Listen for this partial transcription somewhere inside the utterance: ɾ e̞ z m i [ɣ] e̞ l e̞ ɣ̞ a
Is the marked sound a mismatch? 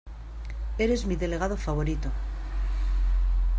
yes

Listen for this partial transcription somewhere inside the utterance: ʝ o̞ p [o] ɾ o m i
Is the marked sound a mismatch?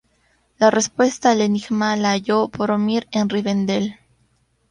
no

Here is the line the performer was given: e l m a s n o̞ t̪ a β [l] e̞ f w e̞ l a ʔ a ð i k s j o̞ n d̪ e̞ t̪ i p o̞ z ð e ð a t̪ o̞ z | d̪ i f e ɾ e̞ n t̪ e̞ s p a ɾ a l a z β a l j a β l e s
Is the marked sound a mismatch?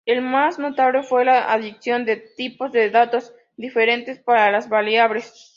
no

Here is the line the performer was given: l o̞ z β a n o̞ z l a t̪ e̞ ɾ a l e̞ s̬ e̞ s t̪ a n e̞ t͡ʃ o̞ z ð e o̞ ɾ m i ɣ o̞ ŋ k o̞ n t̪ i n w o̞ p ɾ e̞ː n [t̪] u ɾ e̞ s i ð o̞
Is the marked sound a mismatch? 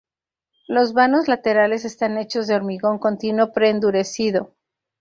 yes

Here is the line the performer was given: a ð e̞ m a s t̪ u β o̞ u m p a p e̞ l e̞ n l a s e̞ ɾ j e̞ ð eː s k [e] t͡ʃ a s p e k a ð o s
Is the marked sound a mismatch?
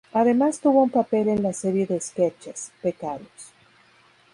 no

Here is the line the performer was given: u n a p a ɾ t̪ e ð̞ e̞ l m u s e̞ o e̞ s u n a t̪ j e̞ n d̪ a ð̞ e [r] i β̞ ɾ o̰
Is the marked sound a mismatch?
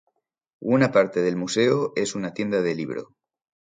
yes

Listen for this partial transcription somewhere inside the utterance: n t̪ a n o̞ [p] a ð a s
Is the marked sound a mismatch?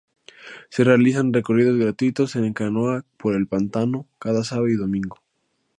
yes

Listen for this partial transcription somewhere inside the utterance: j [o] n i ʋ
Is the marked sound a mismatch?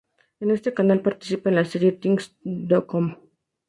yes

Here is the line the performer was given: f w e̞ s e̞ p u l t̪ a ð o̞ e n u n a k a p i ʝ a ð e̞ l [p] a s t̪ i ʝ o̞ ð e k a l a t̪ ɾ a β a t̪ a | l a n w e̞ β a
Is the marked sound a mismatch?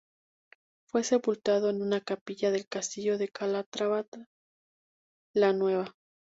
yes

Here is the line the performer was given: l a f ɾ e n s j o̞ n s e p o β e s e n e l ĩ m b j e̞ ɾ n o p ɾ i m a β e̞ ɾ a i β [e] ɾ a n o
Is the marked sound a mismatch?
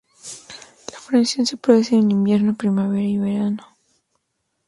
no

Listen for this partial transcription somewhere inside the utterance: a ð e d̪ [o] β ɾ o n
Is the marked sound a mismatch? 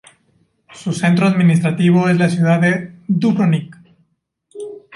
yes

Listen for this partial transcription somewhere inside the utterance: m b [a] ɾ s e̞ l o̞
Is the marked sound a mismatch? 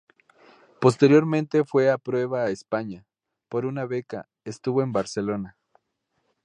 no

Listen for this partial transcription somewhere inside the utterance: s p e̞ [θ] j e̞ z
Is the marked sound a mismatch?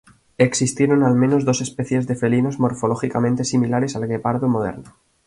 no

